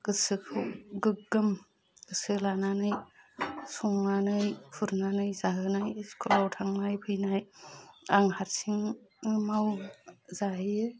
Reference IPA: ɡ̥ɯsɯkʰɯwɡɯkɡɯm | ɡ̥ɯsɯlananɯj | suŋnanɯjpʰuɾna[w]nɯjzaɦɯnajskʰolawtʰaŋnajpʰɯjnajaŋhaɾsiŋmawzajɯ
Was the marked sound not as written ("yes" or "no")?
yes